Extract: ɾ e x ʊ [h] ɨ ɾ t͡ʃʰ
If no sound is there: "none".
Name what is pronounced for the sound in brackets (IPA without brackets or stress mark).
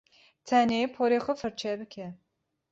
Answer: f